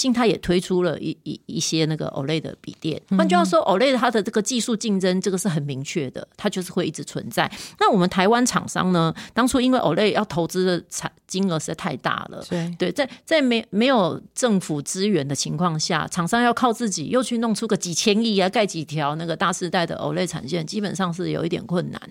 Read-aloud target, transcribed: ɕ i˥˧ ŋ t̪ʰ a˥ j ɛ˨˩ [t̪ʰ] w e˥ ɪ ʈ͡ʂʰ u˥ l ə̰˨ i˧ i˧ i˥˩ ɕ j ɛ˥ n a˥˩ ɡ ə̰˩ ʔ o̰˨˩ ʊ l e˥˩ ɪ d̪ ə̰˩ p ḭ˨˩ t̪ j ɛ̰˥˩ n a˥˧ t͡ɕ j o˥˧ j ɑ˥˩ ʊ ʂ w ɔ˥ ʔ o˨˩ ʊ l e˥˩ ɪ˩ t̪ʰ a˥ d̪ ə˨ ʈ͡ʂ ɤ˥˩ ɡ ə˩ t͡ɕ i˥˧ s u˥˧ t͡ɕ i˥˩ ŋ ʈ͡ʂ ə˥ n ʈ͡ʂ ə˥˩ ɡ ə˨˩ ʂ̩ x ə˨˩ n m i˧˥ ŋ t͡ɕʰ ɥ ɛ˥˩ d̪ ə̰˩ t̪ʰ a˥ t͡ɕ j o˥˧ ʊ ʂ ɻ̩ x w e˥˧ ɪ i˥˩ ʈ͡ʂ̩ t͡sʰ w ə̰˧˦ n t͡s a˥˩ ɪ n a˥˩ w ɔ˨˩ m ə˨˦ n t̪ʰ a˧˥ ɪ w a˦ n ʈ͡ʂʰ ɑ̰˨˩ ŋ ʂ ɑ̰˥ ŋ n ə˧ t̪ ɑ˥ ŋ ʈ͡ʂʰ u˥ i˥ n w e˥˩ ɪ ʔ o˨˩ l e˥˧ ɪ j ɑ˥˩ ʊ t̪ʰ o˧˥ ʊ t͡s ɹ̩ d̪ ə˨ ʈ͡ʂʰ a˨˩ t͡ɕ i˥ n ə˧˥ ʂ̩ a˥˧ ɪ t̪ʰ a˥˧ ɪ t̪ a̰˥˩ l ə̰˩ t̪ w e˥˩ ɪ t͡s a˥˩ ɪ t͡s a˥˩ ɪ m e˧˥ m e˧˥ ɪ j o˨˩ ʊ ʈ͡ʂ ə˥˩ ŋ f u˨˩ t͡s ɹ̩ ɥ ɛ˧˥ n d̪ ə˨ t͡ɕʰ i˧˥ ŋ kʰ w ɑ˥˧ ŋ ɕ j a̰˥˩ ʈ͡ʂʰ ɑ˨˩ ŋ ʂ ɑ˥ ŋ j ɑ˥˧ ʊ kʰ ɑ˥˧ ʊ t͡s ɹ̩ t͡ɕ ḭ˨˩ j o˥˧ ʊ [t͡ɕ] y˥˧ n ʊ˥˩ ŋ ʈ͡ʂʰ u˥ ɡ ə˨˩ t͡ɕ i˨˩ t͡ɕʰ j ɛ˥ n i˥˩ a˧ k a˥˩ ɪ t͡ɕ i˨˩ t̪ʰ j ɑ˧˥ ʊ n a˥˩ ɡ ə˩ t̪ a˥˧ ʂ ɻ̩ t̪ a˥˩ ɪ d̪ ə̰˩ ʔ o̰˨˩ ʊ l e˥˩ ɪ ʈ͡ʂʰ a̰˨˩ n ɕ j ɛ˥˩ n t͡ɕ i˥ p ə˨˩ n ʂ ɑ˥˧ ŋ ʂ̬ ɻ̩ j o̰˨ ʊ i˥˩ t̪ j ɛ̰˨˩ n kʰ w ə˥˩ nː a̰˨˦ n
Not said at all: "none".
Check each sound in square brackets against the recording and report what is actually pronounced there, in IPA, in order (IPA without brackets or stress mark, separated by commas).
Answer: t̪ʰ, t͡ɕʰ